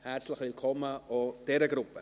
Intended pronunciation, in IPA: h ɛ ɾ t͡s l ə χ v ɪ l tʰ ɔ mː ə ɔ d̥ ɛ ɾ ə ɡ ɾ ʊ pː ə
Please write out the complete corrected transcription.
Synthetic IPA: h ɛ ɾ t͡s l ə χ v ɪ l kʰ ɔ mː ə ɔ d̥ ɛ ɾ ə ɡ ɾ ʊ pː ə